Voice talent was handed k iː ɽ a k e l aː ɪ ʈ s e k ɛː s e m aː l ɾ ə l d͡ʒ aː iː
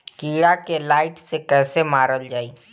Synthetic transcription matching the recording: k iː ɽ a k e l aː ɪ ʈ s e k ɛː s e m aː ɾ ə l d͡ʒ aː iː